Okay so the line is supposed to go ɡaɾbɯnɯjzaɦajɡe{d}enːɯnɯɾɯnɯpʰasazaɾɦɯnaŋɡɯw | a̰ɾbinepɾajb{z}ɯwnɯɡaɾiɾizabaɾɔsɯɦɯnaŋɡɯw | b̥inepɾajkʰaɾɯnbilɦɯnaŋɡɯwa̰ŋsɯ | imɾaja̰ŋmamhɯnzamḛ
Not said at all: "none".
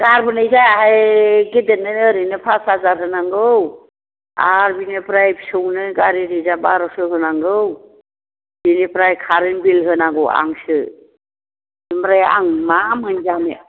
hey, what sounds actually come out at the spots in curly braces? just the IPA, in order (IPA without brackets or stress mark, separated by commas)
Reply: d, s